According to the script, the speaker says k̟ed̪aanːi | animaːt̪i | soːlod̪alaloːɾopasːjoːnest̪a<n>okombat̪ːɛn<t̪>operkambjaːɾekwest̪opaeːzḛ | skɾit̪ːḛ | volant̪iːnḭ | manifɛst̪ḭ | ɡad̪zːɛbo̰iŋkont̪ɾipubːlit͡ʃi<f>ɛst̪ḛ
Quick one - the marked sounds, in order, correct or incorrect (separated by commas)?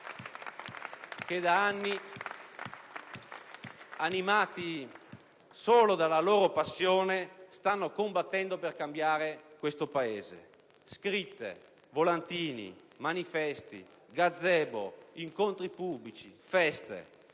incorrect, incorrect, correct